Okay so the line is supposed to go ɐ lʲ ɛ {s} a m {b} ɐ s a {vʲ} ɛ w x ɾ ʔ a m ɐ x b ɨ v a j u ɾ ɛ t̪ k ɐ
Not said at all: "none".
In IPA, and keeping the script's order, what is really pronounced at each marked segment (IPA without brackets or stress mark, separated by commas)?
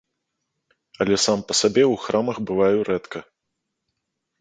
s, p, bʲ